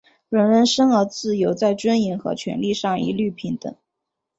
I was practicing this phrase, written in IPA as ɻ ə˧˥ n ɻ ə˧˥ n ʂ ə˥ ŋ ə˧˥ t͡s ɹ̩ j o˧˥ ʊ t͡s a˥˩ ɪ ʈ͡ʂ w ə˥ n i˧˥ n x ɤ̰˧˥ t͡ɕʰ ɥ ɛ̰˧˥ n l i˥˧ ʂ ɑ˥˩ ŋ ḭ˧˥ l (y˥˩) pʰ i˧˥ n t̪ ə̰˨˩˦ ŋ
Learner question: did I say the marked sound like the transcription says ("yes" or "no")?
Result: yes